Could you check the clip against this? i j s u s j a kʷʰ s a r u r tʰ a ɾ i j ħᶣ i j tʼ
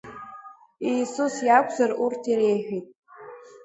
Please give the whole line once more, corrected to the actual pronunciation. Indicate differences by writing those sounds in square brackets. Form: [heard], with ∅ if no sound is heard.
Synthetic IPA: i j s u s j a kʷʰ [z] a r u r tʰ [i] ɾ [e] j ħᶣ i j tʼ